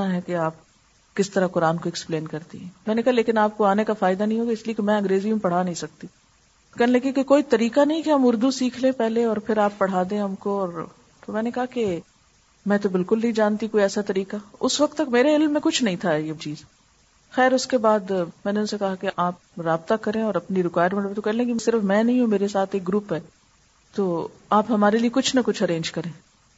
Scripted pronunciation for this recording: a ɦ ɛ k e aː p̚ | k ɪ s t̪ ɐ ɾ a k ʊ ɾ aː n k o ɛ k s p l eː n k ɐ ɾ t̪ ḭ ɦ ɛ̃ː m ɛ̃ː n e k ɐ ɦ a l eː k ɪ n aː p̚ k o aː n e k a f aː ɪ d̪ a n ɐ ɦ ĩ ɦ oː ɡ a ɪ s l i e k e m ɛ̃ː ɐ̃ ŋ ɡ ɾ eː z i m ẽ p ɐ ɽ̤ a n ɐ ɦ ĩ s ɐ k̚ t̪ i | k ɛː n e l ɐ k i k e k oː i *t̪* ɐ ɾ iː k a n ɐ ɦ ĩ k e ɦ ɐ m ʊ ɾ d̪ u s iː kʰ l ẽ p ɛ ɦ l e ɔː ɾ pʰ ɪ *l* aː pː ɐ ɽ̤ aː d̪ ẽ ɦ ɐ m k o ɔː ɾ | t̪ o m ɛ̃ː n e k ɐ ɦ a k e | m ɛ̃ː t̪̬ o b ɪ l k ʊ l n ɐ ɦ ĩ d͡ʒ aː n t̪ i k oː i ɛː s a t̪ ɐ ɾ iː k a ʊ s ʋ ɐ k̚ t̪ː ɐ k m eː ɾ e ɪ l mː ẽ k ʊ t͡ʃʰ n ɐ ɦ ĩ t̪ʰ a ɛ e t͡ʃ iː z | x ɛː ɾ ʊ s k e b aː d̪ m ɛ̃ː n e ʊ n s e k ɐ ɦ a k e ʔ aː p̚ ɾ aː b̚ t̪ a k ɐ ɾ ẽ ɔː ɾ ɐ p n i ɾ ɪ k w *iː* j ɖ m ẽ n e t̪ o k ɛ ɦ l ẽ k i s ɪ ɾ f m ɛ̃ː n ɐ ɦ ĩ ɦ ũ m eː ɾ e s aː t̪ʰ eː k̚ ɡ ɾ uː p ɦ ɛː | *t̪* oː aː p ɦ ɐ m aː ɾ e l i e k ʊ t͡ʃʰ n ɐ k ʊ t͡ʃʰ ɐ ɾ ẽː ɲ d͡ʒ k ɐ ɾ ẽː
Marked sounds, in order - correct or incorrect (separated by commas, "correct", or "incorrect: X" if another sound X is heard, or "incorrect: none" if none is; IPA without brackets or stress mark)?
correct, incorrect: ɾ, incorrect: aː, correct